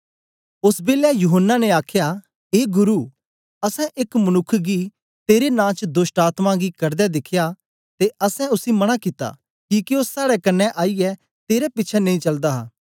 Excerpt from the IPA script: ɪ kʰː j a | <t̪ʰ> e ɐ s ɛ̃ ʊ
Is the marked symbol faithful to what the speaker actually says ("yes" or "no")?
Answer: no